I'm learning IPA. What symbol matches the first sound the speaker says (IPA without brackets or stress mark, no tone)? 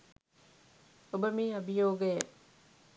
o